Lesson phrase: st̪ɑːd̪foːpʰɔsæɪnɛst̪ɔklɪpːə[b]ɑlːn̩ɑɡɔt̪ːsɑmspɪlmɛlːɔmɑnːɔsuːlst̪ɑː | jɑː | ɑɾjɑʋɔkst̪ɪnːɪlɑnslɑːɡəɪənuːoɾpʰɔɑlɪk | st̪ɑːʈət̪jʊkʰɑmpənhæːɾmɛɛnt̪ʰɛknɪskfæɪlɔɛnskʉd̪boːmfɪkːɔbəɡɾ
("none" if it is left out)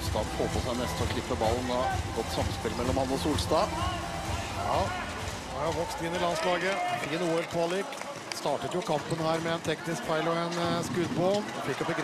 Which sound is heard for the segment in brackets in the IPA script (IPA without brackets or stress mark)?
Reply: b